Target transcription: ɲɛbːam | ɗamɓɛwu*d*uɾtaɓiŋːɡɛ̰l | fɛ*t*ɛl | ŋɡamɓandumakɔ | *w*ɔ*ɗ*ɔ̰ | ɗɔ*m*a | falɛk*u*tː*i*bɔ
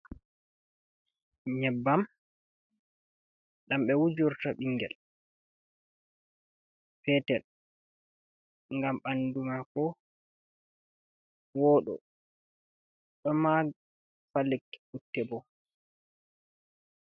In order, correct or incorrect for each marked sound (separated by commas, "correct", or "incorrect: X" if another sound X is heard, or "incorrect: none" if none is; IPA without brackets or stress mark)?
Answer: incorrect: d͡ʒ, correct, correct, correct, correct, correct, incorrect: ɛ